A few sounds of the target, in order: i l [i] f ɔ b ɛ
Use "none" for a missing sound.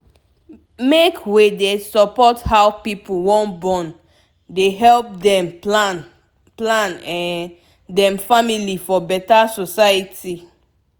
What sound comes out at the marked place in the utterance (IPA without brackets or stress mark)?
i